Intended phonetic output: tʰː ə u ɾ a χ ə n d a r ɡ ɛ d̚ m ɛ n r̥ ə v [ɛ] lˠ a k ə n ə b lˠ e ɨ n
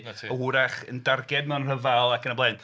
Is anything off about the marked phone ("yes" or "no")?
yes